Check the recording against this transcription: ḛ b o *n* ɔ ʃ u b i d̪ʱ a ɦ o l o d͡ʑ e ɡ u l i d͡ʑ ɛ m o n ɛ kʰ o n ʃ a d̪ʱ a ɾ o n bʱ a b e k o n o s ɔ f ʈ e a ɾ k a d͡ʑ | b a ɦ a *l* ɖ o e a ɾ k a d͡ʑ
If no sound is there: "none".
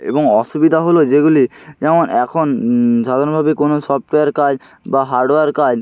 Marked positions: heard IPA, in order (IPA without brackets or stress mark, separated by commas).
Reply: ŋ, ɾ